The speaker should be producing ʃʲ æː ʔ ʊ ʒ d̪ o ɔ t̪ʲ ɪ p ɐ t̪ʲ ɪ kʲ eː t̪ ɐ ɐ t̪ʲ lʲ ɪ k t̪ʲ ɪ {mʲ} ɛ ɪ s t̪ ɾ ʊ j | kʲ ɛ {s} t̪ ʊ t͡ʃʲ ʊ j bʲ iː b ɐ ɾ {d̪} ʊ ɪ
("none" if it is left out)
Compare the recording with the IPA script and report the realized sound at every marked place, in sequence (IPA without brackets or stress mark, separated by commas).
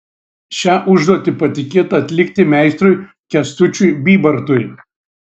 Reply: mʲ, s, t̪